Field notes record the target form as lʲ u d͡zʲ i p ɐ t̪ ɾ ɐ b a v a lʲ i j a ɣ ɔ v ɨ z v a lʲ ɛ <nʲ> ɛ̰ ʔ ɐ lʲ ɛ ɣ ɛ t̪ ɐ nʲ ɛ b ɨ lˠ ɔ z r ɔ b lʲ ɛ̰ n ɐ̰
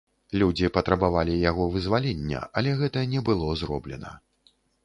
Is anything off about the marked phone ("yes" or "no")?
yes